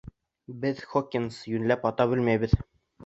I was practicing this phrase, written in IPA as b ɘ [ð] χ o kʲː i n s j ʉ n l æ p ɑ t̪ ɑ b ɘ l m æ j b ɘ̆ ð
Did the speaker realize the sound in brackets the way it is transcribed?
yes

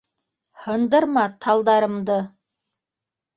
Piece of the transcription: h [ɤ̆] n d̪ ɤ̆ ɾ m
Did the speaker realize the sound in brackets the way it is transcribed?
yes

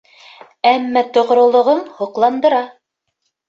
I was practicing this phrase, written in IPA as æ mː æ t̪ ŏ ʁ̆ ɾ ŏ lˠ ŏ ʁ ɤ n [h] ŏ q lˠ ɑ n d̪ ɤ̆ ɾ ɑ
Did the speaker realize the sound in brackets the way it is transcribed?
yes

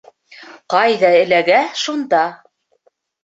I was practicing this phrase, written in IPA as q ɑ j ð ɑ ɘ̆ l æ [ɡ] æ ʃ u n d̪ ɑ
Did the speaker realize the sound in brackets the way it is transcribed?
yes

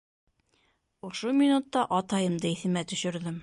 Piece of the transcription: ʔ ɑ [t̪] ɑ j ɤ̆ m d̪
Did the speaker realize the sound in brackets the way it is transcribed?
yes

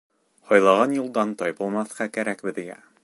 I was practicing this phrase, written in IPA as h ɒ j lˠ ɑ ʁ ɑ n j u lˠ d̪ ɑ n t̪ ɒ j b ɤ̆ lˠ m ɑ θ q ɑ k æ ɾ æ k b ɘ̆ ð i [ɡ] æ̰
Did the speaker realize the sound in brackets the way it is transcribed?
yes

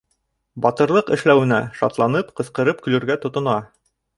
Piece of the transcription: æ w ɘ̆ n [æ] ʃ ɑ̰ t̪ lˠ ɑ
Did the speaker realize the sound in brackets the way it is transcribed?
yes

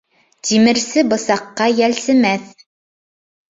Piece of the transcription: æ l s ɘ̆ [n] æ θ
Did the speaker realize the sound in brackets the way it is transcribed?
no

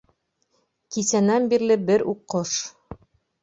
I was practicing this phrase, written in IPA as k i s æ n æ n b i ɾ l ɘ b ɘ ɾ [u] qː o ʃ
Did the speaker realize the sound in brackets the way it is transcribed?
yes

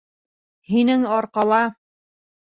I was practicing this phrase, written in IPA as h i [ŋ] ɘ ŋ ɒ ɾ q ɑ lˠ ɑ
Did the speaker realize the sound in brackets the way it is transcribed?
no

